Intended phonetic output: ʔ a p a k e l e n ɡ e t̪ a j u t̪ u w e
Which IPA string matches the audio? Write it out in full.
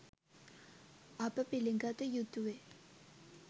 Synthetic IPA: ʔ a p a p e l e ŋ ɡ a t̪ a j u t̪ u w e